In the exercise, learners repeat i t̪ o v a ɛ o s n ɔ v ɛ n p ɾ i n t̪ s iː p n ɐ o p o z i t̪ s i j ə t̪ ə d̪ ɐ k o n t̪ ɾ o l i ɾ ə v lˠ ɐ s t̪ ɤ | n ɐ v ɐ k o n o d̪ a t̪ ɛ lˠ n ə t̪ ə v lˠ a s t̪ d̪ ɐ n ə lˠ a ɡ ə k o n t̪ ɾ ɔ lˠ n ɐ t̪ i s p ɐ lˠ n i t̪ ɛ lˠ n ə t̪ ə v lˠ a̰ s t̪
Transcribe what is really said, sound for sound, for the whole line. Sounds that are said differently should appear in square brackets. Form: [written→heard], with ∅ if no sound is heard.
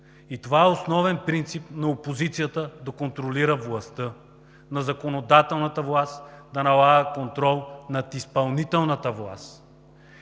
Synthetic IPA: i t̪ o v a ɛ o s n ɔ v ɛ n p ɾ i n t̪ s [iː→i] p n ɐ o p o z i t̪ s i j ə t̪ ə d̪ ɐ k o n t̪ ɾ o l i ɾ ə v lˠ ɐ s t̪ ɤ | n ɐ [v→z] ɐ k o n o d̪ a t̪ ɛ lˠ n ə t̪ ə v lˠ a s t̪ d̪ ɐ n [ə→ɐ] lˠ a ɡ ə k o n t̪ ɾ ɔ lˠ n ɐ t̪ i s p ɐ lˠ n i t̪ ɛ lˠ n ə t̪ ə v lˠ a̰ s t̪

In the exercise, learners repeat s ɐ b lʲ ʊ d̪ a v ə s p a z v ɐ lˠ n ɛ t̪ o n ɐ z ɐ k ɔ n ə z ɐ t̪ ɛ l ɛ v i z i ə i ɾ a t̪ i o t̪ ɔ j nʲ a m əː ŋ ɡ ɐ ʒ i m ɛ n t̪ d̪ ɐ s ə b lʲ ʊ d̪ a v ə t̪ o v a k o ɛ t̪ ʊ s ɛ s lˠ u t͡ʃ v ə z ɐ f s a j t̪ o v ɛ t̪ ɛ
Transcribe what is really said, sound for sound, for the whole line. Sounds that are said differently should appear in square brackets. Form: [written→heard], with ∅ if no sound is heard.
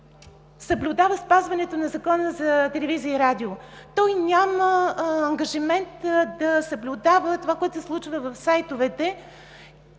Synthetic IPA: s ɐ b lʲ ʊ d̪ a v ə s p a z v ɐ [lˠ→∅] n ɛ t̪ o n ɐ z ɐ k ɔ n ə z ɐ t̪ ɛ l ɛ v i z i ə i ɾ a [t̪→d̪] i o t̪ ɔ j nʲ a m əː ŋ ɡ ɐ ʒ i m ɛ n t̪ d̪ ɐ s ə b lʲ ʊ d̪ a v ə t̪ o v a k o ɛ t̪ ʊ s ɛ s lˠ u t͡ʃ v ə [z→v] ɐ f s a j t̪ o v ɛ t̪ ɛ

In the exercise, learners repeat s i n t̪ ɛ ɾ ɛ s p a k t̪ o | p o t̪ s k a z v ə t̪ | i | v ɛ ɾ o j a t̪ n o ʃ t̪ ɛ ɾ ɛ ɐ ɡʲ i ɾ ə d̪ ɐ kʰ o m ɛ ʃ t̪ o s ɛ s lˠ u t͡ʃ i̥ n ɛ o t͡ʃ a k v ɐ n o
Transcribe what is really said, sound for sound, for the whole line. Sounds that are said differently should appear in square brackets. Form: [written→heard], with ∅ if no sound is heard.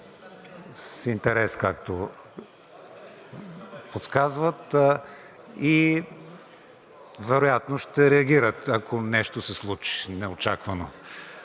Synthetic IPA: s i n t̪ ɛ ɾ ɛ s [p→k] a k t̪ o | p o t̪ s k a z v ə t̪ | i | v ɛ ɾ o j a t̪ n o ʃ t̪ ɛ ɾ ɛ ɐ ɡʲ i ɾ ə [d̪→t̪] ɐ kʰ o [m→n] ɛ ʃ t̪ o s ɛ s lˠ u t͡ʃ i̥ n ɛ o t͡ʃ a k v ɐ n o

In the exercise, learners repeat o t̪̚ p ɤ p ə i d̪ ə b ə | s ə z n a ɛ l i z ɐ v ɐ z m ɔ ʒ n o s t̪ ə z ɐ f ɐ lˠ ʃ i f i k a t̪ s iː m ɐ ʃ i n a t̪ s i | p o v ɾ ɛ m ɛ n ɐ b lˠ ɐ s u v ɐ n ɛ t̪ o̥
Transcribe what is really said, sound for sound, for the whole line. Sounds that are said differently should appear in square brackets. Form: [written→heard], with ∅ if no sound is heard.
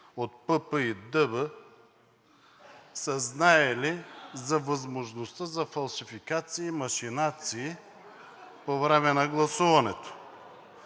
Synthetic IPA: o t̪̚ p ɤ p ə i d̪ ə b ə | s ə z n a ɛ l i z ɐ v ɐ z m [ɔ→o] ʒ n o s t̪ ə z ɐ f ɐ lˠ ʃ i f i k a t̪ s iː m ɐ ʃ i n a t̪ s [i→iː] | p o v ɾ ɛ m ɛ n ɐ [b→ɡ] lˠ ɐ s u v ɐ n ɛ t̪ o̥

